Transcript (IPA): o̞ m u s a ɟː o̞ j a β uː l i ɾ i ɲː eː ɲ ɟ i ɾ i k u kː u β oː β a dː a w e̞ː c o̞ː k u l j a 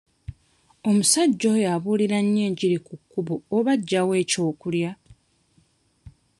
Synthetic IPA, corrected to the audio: o̞ m u s a ɟː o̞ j a β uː l i ɾ a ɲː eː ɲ ɟ i ɾ i k u kː u β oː β a ɟː a w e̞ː c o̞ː k u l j a